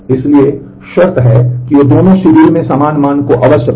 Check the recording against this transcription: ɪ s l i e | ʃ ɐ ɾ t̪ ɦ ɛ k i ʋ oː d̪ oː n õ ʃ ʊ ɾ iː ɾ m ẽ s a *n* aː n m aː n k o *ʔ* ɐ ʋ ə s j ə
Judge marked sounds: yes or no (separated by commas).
no, yes